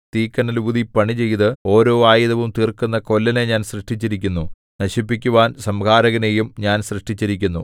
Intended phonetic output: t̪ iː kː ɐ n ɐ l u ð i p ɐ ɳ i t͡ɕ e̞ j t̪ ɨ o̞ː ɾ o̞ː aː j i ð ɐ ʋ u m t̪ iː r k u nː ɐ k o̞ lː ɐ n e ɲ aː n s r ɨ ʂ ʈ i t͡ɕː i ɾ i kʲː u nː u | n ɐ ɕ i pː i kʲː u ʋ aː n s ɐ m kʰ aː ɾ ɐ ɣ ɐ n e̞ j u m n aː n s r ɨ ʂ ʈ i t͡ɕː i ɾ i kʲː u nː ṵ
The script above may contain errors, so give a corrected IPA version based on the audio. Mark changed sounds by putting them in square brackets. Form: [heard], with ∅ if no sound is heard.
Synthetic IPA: t̪ iː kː ɐ n ɐ l u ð i p ɐ ɳ i t͡ɕ e̞ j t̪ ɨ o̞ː ɾ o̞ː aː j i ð ɐ ʋ u m t̪ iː r k u nː ɐ k o̞ lː ɐ n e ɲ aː n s r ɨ ʂ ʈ i t͡ɕː i ɾ i kʲː u nː u | n ɐ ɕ i pː i kʲː u ʋ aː n s ɐ m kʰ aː ɾ ɐ ɣ ɐ n e̞ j u m [ɲ] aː n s r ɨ ʂ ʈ i t͡ɕː i ɾ i kʲː u nː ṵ